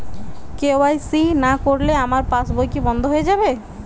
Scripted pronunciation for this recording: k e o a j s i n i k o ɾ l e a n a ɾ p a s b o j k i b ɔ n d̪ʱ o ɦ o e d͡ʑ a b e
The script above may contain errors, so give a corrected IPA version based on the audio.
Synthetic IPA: k e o a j s i n a k o ɾ l e a m a ɾ p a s b o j k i b ɔ n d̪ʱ o ɦ o e d͡ʑ a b e